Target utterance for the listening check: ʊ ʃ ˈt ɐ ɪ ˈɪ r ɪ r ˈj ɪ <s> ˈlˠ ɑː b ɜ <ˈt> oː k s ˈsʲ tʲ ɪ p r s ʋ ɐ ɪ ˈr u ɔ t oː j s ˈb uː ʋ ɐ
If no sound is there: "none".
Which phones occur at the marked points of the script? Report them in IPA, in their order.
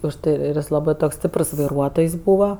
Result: s, t

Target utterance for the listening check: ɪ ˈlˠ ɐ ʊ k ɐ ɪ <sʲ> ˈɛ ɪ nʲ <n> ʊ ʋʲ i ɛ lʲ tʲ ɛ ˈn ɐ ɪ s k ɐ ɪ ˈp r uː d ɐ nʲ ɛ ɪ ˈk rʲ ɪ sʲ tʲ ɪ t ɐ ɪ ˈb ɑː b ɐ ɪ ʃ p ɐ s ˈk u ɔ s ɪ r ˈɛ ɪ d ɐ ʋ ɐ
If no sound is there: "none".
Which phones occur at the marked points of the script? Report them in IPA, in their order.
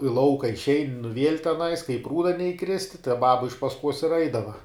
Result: ʃʲ, n

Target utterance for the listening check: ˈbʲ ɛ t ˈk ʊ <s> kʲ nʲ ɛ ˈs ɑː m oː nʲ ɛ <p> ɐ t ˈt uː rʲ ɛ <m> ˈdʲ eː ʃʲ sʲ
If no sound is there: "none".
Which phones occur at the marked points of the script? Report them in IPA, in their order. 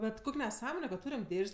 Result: none, k, m

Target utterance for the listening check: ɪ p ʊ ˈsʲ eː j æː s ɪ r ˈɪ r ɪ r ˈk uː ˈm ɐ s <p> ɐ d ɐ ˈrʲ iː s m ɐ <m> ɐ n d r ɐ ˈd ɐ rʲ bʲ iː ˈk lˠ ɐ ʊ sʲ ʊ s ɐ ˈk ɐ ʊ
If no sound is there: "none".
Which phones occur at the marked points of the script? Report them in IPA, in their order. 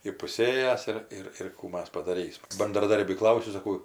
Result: p, b

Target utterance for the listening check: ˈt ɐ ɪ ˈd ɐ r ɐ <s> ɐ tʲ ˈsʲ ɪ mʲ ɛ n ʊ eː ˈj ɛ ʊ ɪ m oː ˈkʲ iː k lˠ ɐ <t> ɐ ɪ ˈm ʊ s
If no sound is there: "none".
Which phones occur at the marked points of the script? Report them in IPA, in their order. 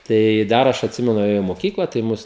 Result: ʃ, t

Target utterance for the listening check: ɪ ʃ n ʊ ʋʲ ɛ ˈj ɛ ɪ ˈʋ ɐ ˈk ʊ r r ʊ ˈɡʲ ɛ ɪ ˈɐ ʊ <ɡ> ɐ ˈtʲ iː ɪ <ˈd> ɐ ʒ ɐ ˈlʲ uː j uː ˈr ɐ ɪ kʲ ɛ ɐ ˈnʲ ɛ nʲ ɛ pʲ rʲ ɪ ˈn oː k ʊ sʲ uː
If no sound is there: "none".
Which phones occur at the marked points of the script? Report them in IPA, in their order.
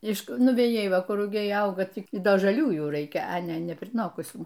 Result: ɡ, d

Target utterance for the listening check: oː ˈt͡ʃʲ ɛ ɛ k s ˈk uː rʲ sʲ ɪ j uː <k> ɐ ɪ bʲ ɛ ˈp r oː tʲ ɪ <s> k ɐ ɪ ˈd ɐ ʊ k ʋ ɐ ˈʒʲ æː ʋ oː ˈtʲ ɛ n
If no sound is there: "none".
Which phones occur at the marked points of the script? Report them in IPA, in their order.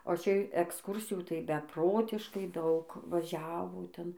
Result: t, ʃ

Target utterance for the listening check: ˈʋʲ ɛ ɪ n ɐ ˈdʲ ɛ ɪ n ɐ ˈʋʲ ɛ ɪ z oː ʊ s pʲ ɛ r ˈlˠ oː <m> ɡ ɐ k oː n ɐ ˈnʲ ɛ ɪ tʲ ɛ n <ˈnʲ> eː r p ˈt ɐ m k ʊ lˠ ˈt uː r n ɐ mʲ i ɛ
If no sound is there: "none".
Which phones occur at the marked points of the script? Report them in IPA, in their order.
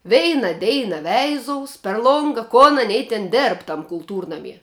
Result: ŋ, dʲ

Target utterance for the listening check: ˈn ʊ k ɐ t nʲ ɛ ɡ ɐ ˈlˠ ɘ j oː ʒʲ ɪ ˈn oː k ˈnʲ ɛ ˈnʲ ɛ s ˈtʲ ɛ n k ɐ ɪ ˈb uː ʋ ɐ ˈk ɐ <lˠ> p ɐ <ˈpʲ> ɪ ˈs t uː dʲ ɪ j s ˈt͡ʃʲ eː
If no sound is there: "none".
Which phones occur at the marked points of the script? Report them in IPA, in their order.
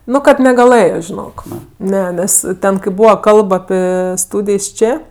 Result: lˠ, pʲ

